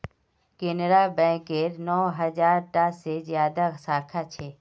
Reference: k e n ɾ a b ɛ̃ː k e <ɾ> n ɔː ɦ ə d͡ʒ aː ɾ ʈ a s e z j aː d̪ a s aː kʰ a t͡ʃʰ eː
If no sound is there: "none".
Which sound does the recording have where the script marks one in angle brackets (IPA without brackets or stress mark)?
ɾ